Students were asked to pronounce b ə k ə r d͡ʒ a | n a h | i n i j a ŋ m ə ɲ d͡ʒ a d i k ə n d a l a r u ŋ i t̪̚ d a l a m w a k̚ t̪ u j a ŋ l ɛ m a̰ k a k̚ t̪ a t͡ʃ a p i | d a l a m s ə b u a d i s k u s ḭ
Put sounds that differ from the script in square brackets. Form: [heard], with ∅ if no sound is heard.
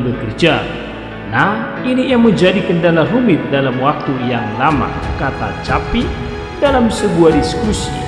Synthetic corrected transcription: b ə k ə r d͡ʒ a | n a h | i n i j a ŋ m ə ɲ d͡ʒ a d i k ə n d a l a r u [m] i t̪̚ d a l a m w a k̚ t̪ u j a ŋ l [a] m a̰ k a [∅] t̪ a t͡ʃ a p i | d a l a m s ə b u a d i s k u s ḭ